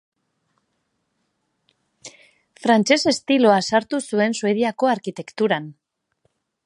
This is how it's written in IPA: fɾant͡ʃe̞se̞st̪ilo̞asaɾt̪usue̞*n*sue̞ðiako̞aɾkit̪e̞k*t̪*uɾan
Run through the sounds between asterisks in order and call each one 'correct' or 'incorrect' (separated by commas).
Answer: correct, correct